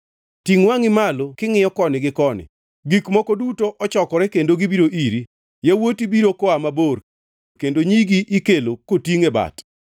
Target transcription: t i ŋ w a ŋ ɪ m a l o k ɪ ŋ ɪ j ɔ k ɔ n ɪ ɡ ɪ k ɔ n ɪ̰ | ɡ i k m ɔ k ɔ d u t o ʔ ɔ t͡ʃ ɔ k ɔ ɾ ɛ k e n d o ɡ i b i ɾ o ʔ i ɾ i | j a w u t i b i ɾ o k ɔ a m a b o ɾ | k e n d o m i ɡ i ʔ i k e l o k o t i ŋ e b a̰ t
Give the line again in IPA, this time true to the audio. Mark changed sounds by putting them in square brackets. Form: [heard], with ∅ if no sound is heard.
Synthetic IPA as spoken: t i ŋ w a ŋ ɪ m a l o k ɪ ŋ ɪ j ɔ k ɔ n ɪ ɡ ɪ k ɔ n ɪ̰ | ɡ i k m ɔ k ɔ d u t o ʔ ɔ t͡ʃ ɔ k ɔ ɾ ɛ k e n d o ɡ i b i ɾ o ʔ i ɾ i | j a w [o] t i b i ɾ o k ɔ a m a b o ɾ | k e n d o [ɲ] i ɡ i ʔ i k e l o k o t i ŋ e b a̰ t